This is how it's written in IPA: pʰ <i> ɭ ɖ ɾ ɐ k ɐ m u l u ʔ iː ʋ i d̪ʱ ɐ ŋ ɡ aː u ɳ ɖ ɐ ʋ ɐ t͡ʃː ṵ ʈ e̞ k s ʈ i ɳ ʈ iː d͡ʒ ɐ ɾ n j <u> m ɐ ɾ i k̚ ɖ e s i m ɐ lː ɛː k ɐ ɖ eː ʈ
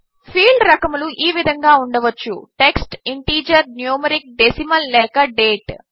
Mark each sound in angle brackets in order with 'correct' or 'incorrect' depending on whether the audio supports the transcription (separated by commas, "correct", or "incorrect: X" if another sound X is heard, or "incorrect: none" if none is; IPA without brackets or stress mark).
incorrect: iː, incorrect: uː